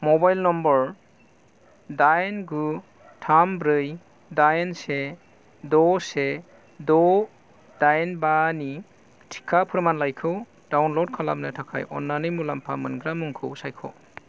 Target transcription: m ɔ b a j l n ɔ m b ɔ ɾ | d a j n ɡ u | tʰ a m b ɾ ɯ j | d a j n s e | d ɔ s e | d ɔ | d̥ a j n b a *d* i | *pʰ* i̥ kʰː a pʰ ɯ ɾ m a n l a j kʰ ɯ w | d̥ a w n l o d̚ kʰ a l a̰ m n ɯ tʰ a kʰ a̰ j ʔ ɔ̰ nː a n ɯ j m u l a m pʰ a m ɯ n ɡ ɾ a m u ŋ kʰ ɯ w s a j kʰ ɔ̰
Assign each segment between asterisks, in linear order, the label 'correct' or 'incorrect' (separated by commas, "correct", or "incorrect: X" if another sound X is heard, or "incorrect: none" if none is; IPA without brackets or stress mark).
incorrect: n, incorrect: tʰ